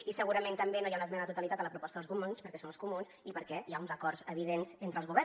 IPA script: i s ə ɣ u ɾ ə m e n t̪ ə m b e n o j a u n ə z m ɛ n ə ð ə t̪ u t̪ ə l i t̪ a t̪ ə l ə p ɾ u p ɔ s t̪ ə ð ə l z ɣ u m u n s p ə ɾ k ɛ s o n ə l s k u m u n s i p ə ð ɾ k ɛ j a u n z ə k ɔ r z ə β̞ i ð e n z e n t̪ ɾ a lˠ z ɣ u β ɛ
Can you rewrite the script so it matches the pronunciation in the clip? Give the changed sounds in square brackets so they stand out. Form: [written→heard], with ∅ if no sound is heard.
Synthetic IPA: i s ə ɣ u ɾ ə m e n t̪ ə m b e n o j a u n ə z m ɛ n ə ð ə t̪ u t̪ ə l i t̪ a t̪ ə l ə p ɾ u p ɔ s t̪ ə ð ə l z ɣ u m u n s p ə ɾ k ɛ s o n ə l s k u m u n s i p ə [ð→∅] ɾ k ɛ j a u n z ə k ɔ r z ə β̞ i ð e n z e n t̪ ɾ [a→ə] lˠ z ɣ u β ɛ